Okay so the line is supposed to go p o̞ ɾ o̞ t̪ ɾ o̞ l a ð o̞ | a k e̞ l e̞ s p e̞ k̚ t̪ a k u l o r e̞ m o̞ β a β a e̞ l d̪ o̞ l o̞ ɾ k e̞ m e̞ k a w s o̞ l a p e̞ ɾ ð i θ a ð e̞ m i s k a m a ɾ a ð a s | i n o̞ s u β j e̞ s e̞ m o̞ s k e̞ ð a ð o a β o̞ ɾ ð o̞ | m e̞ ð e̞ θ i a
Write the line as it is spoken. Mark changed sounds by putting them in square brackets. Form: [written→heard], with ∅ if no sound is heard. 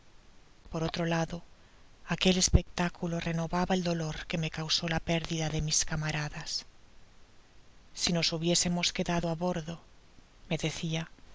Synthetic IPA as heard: p o̞ ɾ o̞ t̪ ɾ o̞ l a ð o̞ | a k e̞ l e̞ s p e̞ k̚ t̪ a k u l o r e̞ [m→n] o̞ β a β a e̞ l d̪ o̞ l o̞ ɾ k e̞ m e̞ k a w s o̞ l a p e̞ ɾ ð i [θ→ð] a ð e̞ m i s k a m a ɾ a ð a s | i n o̞ s u β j e̞ s e̞ m o̞ s k e̞ ð a ð o a β o̞ ɾ ð o̞ | m e̞ ð e̞ θ i a